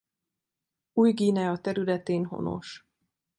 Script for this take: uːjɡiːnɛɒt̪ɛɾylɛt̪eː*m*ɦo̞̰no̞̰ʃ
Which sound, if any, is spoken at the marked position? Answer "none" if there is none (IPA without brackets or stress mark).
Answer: n